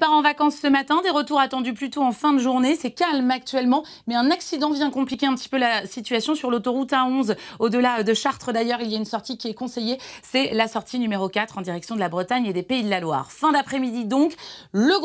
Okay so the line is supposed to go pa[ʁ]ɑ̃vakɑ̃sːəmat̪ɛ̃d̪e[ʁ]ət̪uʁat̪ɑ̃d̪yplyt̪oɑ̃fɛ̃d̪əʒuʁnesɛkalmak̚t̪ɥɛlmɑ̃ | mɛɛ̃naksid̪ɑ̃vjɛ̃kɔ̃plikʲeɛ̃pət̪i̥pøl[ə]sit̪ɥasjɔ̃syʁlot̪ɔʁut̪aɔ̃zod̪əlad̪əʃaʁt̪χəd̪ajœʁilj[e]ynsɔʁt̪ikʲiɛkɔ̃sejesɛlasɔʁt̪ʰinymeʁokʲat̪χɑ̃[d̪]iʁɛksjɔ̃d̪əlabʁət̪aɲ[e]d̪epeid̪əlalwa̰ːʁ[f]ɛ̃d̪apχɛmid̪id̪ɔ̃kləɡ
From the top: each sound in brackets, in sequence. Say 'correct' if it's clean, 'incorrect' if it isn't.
correct, correct, incorrect: a, incorrect: a, correct, correct, correct

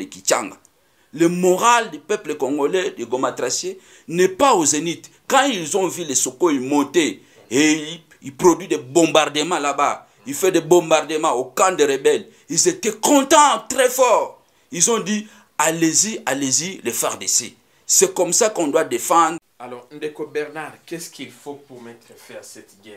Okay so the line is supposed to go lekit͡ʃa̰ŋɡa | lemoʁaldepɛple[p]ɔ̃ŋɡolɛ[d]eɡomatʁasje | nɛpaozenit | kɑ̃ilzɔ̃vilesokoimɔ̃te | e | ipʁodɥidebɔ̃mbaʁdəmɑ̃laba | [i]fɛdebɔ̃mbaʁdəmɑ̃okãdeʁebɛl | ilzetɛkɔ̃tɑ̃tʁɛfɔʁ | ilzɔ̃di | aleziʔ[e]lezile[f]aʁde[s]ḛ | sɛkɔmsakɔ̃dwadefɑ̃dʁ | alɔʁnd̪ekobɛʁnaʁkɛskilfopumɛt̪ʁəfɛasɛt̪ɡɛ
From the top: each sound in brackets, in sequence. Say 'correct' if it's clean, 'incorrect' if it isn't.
incorrect: k, correct, correct, incorrect: a, correct, correct

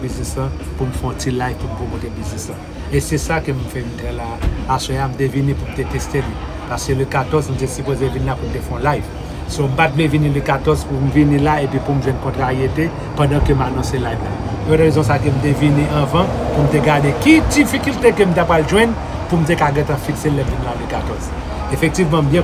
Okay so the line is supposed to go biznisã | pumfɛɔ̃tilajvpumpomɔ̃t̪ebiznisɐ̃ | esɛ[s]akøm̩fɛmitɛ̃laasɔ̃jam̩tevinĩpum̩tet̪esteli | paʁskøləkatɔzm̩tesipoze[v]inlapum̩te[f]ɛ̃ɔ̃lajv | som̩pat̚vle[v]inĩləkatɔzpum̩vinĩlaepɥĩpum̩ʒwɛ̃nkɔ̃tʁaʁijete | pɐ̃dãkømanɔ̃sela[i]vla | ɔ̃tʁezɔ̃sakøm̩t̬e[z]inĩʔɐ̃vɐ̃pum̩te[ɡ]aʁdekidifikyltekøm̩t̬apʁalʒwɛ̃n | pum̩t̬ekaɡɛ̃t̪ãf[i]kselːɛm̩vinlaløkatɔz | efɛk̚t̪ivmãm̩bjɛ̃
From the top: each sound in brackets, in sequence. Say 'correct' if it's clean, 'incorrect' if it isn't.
correct, correct, correct, correct, incorrect: j, incorrect: v, correct, correct

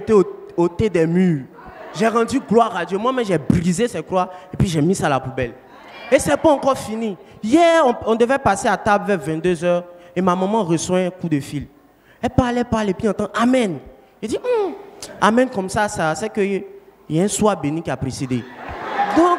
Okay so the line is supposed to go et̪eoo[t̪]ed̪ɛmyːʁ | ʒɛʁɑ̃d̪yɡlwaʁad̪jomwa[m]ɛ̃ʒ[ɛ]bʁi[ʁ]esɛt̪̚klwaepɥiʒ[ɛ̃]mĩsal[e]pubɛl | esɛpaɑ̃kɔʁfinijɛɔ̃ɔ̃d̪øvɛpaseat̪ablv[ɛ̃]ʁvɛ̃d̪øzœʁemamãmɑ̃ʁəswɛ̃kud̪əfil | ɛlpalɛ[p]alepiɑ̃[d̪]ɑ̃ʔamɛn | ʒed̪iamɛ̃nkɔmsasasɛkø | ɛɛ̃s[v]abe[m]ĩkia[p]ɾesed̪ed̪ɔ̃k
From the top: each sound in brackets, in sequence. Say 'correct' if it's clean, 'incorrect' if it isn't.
correct, correct, correct, incorrect: z, incorrect: ɛ, incorrect: a, incorrect: ɛ, correct, incorrect: t̪, incorrect: w, incorrect: n, correct

